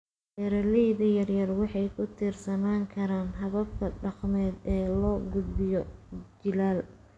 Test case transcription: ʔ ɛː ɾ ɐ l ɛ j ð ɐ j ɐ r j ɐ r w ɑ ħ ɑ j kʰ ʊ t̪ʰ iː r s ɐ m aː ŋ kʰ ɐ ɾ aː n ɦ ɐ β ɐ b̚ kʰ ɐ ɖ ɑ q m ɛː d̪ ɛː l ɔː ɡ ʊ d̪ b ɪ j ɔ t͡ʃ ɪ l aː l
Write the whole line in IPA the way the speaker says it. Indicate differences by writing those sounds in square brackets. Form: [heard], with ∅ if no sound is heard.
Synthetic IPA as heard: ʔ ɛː ɾ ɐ l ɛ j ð ɐ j ɐ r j ɐ r w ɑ ħ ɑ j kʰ ʊ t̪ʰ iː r s ɐ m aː ŋ kʰ ɐ ɾ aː n ɦ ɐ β ɐ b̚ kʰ ɐ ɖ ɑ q m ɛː d̪ ɛː l ɔː ɡ ʊ d̪ b ɪ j ɔ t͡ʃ ɪ l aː l